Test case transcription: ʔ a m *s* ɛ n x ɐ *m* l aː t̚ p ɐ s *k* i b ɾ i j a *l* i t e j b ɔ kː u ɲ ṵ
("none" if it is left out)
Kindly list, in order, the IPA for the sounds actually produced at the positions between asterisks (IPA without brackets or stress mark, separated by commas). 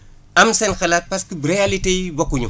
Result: s, none, k, l